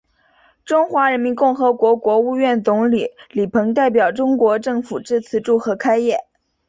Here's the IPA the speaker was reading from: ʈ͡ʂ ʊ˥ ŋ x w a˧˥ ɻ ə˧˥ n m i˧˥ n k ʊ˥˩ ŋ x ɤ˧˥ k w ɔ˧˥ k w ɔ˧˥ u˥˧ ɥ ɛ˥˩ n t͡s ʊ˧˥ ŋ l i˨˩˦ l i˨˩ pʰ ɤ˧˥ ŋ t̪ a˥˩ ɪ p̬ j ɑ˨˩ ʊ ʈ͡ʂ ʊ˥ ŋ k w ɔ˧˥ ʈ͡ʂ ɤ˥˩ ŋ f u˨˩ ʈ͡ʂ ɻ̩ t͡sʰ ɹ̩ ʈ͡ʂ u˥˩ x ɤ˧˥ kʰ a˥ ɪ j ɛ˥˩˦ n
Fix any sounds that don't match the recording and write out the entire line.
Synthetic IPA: ʈ͡ʂ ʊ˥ ŋ x w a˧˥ ɻ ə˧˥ n m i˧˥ n k ʊ˥˩ ŋ x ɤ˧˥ k w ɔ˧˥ k w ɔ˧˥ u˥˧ ɥ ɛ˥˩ n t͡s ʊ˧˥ ŋ l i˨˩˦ l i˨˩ pʰ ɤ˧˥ ŋ t̪ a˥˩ ɪ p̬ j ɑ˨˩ ʊ ʈ͡ʂ ʊ˥ ŋ k w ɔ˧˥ ʈ͡ʂ ɤ˥˩ ŋ f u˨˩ ʈ͡ʂ ɻ̩ t͡sʰ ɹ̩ ʈ͡ʂ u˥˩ x ɤ˧˥ kʰ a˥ ɪ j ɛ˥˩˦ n